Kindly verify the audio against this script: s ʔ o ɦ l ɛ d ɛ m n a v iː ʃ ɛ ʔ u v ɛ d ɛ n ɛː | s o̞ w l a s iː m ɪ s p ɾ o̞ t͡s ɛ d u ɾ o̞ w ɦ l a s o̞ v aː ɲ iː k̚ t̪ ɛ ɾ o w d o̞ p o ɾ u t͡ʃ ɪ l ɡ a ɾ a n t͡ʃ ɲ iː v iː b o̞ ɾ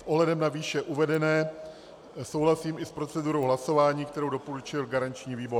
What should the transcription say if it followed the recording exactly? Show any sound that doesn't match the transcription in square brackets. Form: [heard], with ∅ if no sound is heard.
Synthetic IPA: s ʔ o ɦ l ɛ d ɛ m n a v iː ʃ ɛ ʔ u v ɛ d ɛ n ɛː | s o̞ w l a s iː m ɪ s p ɾ o̞ t͡s ɛ d u ɾ o̞ w ɦ l a s o̞ v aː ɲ iː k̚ t̪ ɛ ɾ o w d o̞ p o ɾ u t͡ʃ ɪ l ɡ a ɾ a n t͡ʃ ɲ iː v iː b o̞ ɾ

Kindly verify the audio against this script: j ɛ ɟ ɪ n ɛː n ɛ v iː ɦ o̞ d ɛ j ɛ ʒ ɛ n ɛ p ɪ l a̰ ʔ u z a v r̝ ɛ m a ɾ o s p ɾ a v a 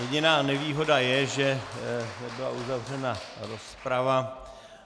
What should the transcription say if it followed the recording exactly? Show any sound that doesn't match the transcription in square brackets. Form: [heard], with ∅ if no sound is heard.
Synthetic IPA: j ɛ ɟ ɪ n [aː] n ɛ v iː ɦ o̞ d [a] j ɛ ʒ ɛ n ɛ [b] ɪ l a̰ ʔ u z a v r̝ ɛ [n] a ɾ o s p ɾ a v a

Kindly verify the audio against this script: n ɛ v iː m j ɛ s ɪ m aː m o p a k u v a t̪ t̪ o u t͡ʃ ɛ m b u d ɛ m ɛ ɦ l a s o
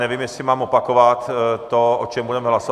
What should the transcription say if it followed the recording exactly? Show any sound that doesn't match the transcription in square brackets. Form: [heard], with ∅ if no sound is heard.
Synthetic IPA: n ɛ v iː m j ɛ s ɪ m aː m o p a k [o] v a t̪ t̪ o [o] t͡ʃ ɛ m b u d ɛ m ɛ ɦ l a s o

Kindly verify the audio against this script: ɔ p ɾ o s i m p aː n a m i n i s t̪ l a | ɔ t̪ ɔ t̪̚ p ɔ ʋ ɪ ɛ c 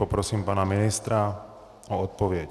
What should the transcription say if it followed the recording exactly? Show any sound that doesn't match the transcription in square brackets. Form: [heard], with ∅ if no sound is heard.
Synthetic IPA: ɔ p ɾ [ɔ] s [iː] m p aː n a m i n i s t̪ [ɾ] a | ɔ [∅] ɔ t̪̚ p ɔ ʋ ɪ ɛ c

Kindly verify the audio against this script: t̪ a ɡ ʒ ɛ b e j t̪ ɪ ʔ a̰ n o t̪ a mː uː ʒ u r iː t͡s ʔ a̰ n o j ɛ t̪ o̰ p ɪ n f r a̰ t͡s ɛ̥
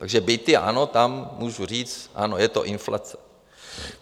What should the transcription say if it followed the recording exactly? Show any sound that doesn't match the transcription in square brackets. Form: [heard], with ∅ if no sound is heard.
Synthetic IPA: t̪ a ɡ ʒ ɛ b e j t̪ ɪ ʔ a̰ n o t̪ a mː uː ʒ u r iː t͡s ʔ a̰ n o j ɛ t̪ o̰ [ʔ] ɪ n f [l] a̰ t͡s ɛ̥

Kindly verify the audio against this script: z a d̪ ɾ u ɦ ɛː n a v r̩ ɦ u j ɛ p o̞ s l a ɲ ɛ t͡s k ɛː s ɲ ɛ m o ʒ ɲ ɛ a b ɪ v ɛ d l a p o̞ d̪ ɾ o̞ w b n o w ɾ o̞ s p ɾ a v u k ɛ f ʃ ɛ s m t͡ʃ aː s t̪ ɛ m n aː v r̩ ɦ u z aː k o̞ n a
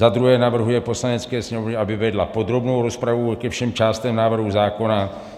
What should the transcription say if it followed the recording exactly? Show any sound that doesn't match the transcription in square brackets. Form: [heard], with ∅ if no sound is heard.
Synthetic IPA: z a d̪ ɾ u ɦ ɛː n a v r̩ ɦ u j ɛ p o̞ s l a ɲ ɛ t͡s k ɛː s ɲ ɛ m o [v] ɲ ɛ a b ɪ v ɛ d l a p o̞ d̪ ɾ o̞ [∅] b n o w ɾ o̞ s p ɾ a v u k ɛ f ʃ ɛ [∅] m t͡ʃ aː s t̪ ɛ m n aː v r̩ ɦ u z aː k o̞ n a

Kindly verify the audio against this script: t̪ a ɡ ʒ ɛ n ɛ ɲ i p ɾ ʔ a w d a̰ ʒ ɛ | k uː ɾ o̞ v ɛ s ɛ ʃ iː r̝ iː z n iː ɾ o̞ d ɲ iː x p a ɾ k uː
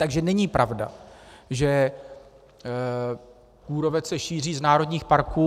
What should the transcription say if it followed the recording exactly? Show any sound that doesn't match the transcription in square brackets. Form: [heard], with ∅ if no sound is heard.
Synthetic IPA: t̪ a ɡ ʒ ɛ n ɛ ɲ i p ɾ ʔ a [v] d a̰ ʒ ɛ | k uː ɾ o̞ v ɛ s ɛ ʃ iː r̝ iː z n [aː] ɾ o̞ d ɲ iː x p a ɾ k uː

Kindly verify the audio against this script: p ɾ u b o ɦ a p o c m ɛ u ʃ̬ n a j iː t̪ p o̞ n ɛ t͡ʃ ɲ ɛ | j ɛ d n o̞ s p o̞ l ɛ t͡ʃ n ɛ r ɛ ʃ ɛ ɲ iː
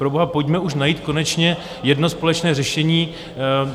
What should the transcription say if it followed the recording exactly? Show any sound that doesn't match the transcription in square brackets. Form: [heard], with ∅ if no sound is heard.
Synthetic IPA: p ɾ [o] b o ɦ a p o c m ɛ u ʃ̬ n a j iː t̪ [k] o̞ n ɛ t͡ʃ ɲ ɛ | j ɛ d n o̞ s p o̞ l ɛ t͡ʃ n [ɛː] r ɛ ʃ ɛ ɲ iː

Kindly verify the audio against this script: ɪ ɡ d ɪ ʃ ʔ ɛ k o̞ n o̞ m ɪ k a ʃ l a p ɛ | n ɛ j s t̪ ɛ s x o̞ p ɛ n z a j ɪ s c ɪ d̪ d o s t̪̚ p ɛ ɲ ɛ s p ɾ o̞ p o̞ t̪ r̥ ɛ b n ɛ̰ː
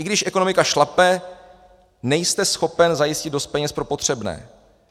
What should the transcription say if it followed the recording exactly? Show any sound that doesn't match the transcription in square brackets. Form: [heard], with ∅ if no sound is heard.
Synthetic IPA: ɪ ɡ d ɪ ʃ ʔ ɛ k o̞ n o̞ m ɪ k a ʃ l a p ɛ | n ɛ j s t̪ ɛ s x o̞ p ɛ n z a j ɪ s c ɪ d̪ d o s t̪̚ p ɛ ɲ ɛ s p ɾ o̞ p o̞ t̪ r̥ ɛ b n ɛ̰ː

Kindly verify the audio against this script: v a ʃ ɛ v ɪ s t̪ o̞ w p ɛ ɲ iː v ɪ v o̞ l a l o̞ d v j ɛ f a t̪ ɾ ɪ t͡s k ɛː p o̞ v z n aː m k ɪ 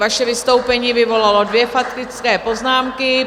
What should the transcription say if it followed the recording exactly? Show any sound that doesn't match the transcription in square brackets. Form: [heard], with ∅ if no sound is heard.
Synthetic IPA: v a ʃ ɛ v ɪ s t̪ o̞ w p ɛ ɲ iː v ɪ v o̞ l a l o̞ d v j ɛ f a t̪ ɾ ɪ t͡s k ɛː p o̞ [∅] z n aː m k ɪ

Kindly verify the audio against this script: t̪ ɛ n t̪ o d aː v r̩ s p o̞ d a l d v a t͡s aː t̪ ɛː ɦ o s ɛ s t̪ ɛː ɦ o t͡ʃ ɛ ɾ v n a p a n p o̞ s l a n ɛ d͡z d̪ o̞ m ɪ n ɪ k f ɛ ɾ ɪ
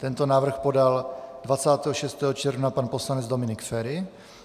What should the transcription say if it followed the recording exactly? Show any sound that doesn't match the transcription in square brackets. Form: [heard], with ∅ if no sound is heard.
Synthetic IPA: t̪ ɛ n t̪ o [n] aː v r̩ [x] p o̞ d a l d v a t͡s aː t̪ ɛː ɦ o [ʃ] ɛ s t̪ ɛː ɦ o t͡ʃ ɛ ɾ v n a p a n p o̞ s l a n ɛ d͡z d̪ o̞ m ɪ n ɪ k f ɛ ɾ ɪ

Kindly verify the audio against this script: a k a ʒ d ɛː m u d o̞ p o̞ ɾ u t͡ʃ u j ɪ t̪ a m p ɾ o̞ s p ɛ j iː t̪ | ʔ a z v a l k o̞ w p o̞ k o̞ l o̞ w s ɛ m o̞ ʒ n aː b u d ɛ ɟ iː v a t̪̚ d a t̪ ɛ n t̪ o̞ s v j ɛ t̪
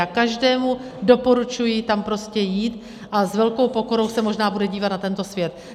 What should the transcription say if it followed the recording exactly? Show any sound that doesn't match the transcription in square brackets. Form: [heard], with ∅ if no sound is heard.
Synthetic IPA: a k a ʒ d ɛː m u d o̞ p o̞ ɾ u t͡ʃ u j ɪ t̪ a m p ɾ o̞ s [c] ɛ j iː t̪ | ʔ a z v [ɛ] l k o̞ w p o̞ k o̞ [ɾ] o̞ w s ɛ m o̞ ʒ n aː b u d ɛ ɟ iː v a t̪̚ [n] a t̪ ɛ n t̪ o̞ s v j ɛ t̪

